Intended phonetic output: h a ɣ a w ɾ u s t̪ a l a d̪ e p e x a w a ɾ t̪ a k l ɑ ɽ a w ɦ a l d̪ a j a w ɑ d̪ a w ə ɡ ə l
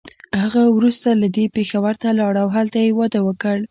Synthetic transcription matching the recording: h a ɣ a w ɾ u s t̪ a l a d̪ e p e x a w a ɾ t̪ a l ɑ ɽ a w ɦ a l t̪ a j e w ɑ d̪ a w ə k ə ɽ